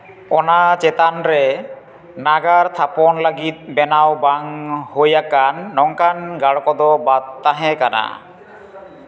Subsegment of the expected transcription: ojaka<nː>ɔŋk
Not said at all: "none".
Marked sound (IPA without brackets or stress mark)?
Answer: nː